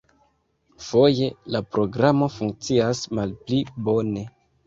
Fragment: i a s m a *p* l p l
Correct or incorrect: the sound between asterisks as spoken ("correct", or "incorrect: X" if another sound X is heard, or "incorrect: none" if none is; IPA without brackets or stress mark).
incorrect: none